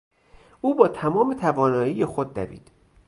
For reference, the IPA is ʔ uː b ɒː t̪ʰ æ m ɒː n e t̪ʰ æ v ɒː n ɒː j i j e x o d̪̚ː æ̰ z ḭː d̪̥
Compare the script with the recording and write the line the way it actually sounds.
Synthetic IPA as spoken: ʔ uː b ɒː t̪ʰ æ m ɒː m e t̪ʰ æ v ɒː n ɒː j i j e x o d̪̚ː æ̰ v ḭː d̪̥